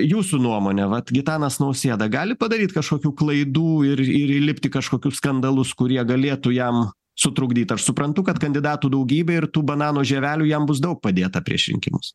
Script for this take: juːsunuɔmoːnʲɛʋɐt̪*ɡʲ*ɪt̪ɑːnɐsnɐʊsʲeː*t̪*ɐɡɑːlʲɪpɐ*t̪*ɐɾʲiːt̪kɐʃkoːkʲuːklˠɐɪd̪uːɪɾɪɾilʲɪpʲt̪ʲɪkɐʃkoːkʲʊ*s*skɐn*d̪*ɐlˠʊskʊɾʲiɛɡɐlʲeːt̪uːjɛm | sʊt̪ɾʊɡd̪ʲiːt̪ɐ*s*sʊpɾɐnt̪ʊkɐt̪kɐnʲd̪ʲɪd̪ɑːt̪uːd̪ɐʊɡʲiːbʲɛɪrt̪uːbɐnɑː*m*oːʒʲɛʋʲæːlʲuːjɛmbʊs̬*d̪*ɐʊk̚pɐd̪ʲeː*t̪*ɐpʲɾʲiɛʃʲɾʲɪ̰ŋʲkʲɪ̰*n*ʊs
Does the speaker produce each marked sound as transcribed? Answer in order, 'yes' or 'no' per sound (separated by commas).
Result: yes, no, no, yes, yes, no, no, yes, yes, no